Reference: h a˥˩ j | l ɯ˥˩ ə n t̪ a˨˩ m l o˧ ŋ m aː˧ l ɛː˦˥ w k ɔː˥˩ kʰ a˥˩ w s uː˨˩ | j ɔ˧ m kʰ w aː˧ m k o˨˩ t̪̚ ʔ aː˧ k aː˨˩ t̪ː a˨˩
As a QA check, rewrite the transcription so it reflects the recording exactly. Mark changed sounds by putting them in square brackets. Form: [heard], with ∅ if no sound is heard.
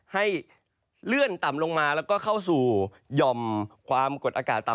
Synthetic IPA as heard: h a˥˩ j | l ɯ˥˩ ə n t̪ a˨˩ m l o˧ ŋ m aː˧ l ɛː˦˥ w k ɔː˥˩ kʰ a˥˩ w s uː˨˩ | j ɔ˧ m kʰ w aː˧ m k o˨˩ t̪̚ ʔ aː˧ k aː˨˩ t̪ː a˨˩